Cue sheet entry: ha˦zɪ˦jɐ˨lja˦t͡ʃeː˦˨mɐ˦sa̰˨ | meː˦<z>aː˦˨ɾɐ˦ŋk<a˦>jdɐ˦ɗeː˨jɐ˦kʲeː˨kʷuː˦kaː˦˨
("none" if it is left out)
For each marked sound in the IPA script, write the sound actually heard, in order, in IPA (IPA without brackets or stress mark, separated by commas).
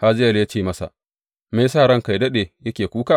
s, a˨